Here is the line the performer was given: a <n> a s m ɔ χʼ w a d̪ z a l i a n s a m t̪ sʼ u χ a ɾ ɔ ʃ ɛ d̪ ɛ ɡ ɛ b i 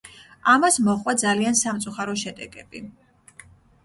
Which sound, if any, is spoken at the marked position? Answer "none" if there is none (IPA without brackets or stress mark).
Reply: m